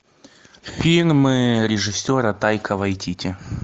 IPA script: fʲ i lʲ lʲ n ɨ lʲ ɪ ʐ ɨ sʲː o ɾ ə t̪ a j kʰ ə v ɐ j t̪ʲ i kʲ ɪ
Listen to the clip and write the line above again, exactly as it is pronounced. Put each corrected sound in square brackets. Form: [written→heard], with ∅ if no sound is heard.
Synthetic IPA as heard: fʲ i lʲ lʲ [n→m] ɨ [lʲ→ɾʲ] ɪ ʐ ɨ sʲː o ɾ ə t̪ a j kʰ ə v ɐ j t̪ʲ i [kʲ→tʲ] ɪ

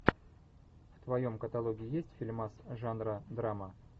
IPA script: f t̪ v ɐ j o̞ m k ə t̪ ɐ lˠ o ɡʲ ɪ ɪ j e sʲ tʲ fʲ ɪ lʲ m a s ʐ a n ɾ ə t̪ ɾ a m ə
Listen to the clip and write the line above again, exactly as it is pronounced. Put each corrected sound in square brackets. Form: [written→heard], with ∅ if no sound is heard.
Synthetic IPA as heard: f t̪ v ɐ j o̞ m k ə t̪ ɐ lˠ o ɡʲ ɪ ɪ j e sʲ tʲ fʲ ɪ lʲ m a s ʐ a n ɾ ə [t̪→d̪] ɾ a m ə

